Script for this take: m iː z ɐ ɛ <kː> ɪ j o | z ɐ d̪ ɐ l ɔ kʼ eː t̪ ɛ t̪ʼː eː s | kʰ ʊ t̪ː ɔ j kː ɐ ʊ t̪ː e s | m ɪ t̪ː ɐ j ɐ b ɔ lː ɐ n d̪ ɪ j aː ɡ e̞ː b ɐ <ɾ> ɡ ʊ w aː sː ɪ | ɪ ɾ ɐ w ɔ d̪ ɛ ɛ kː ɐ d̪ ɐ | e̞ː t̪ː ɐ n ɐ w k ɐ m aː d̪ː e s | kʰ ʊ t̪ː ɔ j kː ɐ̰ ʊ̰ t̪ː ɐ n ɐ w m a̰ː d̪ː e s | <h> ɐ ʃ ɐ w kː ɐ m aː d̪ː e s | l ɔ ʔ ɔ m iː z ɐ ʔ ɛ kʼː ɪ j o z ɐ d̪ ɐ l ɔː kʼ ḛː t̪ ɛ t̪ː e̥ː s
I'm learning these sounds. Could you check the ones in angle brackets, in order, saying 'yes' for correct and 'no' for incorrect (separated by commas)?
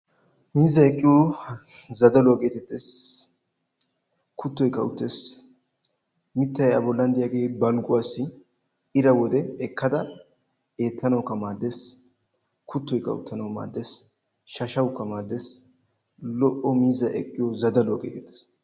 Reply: no, no, no